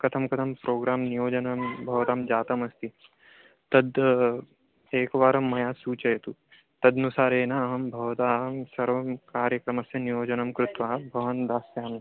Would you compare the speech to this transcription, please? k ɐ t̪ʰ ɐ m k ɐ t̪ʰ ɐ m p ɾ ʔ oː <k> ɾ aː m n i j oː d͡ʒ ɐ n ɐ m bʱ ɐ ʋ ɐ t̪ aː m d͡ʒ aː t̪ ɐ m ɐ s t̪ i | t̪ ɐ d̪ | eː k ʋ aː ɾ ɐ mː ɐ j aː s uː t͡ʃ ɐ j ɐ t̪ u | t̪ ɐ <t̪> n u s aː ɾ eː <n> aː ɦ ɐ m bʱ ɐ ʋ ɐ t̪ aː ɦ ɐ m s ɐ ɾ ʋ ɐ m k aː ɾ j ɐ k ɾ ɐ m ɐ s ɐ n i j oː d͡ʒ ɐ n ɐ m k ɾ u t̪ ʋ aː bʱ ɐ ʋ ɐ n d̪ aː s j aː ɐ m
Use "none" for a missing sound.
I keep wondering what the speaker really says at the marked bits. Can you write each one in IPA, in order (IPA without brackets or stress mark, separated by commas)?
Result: ɡ, d̪, n